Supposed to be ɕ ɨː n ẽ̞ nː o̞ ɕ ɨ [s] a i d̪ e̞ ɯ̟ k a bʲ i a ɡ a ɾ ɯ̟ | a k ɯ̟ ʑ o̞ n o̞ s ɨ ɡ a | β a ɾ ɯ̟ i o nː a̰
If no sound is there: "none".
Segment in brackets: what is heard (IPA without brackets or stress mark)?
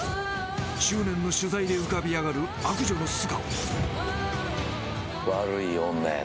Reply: z